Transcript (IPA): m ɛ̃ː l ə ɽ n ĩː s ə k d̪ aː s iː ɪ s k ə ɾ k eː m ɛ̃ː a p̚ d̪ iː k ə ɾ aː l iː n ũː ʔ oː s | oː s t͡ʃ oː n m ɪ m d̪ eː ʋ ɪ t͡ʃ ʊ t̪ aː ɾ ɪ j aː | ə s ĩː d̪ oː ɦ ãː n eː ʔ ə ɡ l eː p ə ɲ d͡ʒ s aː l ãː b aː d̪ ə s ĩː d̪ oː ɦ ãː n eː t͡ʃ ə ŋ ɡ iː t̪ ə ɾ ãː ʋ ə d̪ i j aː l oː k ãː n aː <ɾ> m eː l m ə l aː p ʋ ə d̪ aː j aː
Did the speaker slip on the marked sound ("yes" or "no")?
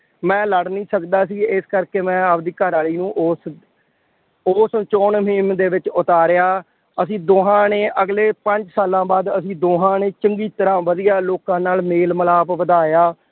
yes